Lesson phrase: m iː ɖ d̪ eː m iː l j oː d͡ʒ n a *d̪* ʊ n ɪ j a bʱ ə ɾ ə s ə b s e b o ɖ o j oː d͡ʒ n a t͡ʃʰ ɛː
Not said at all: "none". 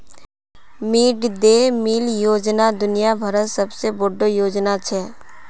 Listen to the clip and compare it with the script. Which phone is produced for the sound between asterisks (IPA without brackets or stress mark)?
d̪